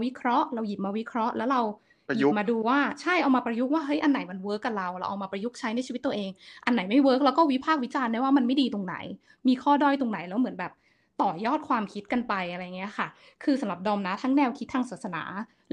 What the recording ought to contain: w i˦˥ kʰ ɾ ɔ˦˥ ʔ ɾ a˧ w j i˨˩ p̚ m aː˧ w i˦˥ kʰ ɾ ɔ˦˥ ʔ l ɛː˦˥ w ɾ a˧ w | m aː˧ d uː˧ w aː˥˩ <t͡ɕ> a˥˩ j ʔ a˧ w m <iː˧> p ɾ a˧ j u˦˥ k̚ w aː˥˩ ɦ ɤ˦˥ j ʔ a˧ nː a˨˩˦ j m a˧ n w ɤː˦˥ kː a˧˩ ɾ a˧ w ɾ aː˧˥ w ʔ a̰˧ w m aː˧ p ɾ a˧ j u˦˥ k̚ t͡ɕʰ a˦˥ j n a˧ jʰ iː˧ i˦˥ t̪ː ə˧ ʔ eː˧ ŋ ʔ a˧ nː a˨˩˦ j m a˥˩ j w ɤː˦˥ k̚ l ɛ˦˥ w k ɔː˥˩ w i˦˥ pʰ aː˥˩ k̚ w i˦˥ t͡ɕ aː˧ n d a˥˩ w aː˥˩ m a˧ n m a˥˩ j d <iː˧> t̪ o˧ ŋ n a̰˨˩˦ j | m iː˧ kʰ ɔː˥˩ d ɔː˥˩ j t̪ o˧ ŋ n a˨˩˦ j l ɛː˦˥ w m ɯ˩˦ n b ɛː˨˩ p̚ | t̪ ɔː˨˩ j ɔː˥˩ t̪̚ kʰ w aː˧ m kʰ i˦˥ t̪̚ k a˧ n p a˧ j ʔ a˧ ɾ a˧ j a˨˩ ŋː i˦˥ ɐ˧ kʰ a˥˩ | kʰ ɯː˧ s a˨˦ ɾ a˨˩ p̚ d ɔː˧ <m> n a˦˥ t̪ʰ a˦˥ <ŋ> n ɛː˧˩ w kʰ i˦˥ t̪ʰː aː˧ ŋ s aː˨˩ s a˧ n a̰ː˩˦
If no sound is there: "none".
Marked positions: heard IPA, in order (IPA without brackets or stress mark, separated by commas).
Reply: t͡ɕʰ, aː˧, iː˧, m, ŋ